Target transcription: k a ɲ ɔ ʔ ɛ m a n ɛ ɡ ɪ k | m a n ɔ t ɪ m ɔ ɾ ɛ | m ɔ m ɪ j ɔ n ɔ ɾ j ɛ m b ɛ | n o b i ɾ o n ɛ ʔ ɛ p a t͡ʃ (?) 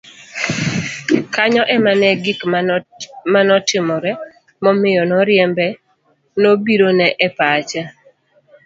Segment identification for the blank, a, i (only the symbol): a